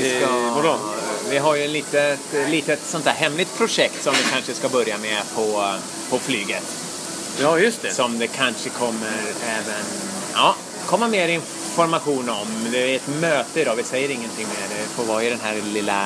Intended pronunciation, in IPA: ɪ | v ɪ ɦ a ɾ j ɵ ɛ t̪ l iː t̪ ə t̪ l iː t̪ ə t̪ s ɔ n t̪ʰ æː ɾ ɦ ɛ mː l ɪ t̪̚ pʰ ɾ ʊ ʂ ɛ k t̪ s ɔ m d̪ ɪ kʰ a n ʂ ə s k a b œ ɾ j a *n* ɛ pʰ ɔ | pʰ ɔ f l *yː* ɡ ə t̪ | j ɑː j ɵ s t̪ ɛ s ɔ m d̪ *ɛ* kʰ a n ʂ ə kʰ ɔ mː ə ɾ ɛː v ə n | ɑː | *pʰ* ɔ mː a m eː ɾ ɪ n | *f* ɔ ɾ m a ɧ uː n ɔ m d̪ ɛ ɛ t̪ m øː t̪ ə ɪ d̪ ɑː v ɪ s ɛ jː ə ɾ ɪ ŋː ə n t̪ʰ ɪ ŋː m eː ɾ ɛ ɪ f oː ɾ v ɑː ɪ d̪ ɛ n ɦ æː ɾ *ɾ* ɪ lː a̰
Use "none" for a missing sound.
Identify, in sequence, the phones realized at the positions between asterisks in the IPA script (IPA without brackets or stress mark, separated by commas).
m, yː, ɛ, kʰ, f, l